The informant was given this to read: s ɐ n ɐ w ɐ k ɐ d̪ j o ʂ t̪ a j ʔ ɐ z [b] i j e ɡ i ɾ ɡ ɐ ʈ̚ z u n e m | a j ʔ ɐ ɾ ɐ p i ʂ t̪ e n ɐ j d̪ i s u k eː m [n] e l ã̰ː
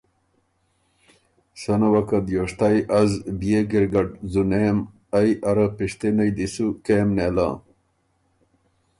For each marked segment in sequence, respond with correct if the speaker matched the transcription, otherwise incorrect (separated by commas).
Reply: correct, correct